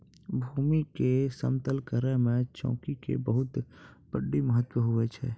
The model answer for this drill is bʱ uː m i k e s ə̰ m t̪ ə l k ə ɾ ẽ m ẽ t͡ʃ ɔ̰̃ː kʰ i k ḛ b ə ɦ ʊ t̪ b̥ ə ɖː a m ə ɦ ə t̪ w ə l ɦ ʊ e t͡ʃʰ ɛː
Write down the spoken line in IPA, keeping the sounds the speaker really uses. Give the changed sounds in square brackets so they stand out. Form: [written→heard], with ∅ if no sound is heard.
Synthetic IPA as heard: bʱ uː m i k e s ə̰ m t̪ ə l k ə ɾ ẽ m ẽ t͡ʃ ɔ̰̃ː [kʰ→k] i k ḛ b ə ɦ ʊ t̪ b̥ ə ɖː [a→i] m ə ɦ ə t̪ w ə [l→∅] ɦ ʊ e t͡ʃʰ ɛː